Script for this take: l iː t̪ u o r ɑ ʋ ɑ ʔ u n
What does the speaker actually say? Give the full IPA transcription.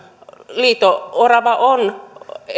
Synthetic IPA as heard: l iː t̪ o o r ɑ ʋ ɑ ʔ o n

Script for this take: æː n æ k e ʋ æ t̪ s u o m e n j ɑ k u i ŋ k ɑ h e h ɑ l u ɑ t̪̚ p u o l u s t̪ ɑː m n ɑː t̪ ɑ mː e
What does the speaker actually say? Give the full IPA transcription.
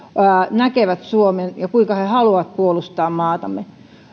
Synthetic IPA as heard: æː n æ k e ʋ æ t̪ s u o m e n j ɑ k u i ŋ k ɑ h e h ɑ l u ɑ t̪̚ p u o l u s t̪ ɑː m m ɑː t̪ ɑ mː e

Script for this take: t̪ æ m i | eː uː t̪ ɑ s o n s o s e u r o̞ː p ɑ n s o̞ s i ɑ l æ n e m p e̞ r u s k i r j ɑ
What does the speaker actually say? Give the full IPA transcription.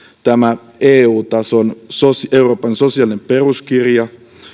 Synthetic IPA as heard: t̪ æ m æ | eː uː t̪ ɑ s o n s o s e u r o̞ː p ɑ n s o̞ s i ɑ l i n e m p e̞ r u s k i r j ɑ

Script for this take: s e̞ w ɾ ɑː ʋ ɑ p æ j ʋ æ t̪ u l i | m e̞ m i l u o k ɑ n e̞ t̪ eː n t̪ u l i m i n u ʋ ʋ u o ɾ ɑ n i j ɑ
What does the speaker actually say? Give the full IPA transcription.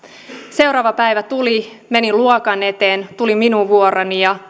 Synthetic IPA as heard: s e̞ w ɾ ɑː ʋ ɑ p æ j ʋ æ t̪ u l i | m e̞ n i l u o k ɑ n e̞ t̪ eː n t̪ u l i m i n u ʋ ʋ u o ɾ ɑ n i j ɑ

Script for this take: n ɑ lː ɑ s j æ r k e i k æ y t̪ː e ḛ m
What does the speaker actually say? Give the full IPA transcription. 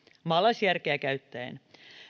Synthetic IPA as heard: m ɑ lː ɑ s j æ r k e æ k æ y t̪ː æ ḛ n

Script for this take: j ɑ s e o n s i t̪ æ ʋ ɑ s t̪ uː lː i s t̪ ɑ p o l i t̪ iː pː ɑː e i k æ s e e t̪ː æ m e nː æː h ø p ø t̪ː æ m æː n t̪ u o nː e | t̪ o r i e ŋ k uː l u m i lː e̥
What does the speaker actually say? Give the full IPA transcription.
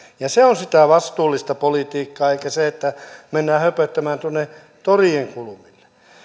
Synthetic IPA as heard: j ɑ s e o n s i t̪ æ ʋ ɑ s t̪ uː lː i s t̪ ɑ p o l i t̪ iː kː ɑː e i k æ s e e t̪ː æ m e nː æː h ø p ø t̪ː æ m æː n t̪ u o nː e | t̪ o r i e ŋ k u l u m i lː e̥

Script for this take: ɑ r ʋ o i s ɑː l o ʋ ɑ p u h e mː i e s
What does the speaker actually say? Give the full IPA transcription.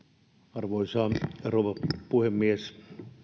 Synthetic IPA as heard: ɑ r ʋ o i s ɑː r o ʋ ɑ p u h e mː i e s

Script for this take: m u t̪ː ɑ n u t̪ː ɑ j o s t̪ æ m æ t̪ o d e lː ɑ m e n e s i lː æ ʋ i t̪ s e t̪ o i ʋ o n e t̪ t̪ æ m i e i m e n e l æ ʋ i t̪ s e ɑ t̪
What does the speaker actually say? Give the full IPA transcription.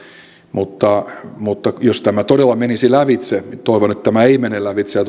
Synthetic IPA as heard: m u t̪ː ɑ m u t̪ː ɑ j o s t̪ æ m æ t̪ o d e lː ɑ m e n i s i l æ ʋ i t̪ s e t̪ o i ʋ o n e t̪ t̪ æ m æ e i m e n e l æ ʋ i t̪ s e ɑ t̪

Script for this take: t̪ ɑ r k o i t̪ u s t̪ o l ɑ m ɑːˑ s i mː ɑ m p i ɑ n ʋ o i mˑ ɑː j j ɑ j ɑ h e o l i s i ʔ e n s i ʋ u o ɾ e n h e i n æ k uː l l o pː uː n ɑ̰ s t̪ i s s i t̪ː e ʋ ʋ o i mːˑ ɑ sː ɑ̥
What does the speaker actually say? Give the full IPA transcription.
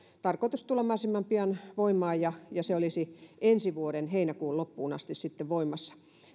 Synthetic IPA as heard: t̪ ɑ r k o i t̪ u s t̪ u l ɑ m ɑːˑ s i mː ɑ m p i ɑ n ʋ o i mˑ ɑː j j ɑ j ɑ s e o l i s i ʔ e n s i ʋ u o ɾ e n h e i n æ k uː l l o pː uː n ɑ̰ s t̪ i s s i t̪ː e ʋ ʋ o i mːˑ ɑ sː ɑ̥

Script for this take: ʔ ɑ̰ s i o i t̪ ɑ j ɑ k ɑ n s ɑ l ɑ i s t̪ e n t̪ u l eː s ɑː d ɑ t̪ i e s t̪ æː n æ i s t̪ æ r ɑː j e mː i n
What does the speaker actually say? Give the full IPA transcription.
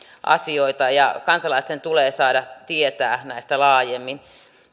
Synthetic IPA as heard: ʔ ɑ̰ s i o i t̪ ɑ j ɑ k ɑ n s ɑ l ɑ i s t̪ e n t̪ u l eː s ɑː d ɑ t̪ i e t̪ æː n æ i s t̪ æ l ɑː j e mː i n

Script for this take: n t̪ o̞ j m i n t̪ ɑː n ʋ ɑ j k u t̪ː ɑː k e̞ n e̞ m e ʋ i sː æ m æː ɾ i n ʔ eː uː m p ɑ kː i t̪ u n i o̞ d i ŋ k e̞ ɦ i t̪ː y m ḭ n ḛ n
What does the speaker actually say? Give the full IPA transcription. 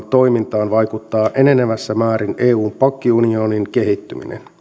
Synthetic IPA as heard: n t̪ o̞ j m i n t̪ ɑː n ʋ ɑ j k u t̪ː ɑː ʔ e̞ n e̞ n e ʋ æ sː æ m æː ɾ i n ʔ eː uː m p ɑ kː i u n i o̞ n i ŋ k e̞ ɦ i t̪ː y m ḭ n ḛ n

